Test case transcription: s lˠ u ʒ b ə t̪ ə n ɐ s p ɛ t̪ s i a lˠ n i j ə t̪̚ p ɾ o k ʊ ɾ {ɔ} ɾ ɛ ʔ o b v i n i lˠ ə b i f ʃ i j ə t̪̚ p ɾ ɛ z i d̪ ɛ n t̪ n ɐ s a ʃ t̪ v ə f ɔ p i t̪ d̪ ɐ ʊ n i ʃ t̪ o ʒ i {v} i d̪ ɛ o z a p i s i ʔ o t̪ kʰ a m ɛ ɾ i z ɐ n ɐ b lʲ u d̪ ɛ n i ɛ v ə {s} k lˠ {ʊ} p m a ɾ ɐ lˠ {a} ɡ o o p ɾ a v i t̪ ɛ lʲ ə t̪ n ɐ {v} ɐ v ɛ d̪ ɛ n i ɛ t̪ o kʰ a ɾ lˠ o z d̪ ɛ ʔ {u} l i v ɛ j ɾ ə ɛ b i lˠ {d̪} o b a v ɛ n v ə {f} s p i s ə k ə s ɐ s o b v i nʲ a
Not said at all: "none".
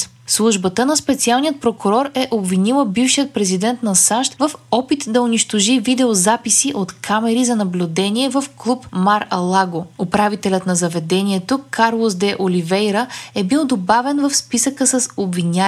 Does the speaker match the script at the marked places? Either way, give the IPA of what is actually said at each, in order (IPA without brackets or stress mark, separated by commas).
ɔ, v, f, u, a, z, o, d̪, f